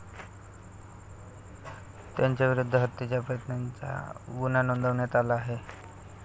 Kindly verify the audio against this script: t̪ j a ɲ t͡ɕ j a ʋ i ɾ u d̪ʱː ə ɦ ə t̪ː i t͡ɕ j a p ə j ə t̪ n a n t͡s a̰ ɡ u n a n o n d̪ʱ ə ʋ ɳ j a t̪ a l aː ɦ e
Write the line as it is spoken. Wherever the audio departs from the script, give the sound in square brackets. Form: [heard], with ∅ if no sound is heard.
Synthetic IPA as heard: t̪ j a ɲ t͡ɕ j a ʋ i ɾ u d̪ʱː ə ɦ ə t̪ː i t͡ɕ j a p ə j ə t̪ n a n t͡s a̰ ɡ u n a n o n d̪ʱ ə ʋ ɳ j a t̪ a l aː ɦ e

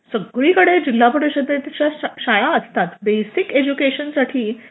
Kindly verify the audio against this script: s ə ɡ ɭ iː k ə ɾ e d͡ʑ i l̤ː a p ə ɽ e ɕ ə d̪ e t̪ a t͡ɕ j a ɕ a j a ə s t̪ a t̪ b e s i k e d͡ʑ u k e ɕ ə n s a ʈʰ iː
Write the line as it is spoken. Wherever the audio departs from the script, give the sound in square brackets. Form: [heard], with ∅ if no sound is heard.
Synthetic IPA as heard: s ə ɡ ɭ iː k ə [ɽ] e d͡ʑ i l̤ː a p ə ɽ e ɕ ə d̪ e t̪ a t͡ɕ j a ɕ a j a ə s t̪ a t̪ b e s i k e d͡ʑ u k e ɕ ə n s a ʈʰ iː

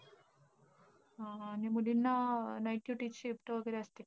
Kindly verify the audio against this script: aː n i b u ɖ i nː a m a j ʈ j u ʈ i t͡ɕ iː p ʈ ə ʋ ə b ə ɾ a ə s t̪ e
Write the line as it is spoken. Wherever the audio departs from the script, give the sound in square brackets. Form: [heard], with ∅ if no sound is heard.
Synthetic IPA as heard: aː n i [m] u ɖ i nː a [n] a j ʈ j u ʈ i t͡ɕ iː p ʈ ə ʋ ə [ɡ] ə ɾ [e] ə s t̪ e

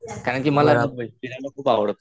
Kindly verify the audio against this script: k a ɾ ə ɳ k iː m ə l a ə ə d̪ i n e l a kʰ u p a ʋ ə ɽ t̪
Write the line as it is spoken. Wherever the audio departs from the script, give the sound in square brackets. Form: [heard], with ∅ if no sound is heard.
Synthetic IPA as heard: k a ɾ ə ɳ k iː m ə l a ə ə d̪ i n [a] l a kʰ [uː] p a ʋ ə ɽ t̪

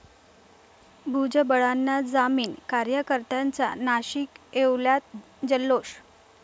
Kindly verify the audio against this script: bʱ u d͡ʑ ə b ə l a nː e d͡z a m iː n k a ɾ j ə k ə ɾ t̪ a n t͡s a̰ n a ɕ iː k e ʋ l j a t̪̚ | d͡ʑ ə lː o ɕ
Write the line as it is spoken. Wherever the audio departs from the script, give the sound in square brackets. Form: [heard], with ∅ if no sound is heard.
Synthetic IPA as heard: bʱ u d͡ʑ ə b ə [ɭ] a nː [a] d͡z a m iː n k a ɾ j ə k ə ɾ t̪ a n t͡s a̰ n a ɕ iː k e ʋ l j a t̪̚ | d͡ʑ ə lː o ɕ

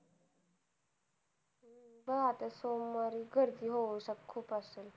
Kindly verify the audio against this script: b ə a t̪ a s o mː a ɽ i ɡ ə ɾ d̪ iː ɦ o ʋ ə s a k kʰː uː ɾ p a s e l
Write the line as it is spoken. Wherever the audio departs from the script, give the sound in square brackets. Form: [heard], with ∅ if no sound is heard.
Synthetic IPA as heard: b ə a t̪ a s o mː a [ɾ] i ɡ ə ɾ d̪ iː ɦ o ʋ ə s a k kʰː uː [∅] p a s e l

